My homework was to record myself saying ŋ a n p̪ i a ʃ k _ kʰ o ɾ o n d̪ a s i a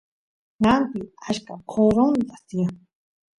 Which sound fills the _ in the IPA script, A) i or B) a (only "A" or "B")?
B